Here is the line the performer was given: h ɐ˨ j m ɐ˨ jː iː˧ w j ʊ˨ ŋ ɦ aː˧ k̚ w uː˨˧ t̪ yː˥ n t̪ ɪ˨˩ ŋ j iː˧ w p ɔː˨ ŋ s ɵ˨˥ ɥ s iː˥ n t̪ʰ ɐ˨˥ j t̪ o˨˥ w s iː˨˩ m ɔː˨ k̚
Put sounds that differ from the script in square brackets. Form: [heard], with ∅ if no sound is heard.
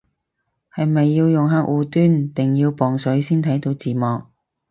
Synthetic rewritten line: h ɐ˨ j m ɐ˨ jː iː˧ w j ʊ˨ ŋ ɦ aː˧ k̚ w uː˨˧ t̪ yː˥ n t̪ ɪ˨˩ ŋ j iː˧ w p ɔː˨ ŋ s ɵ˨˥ ɥ s iː˥ n t̪ʰ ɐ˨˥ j t̪ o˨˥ w [t͡s] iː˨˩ m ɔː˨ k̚